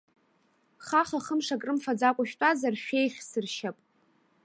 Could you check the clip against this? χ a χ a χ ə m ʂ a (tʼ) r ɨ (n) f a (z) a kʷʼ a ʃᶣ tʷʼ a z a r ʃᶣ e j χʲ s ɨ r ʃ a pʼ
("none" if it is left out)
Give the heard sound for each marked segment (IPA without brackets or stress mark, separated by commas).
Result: kʼ, m, d͡z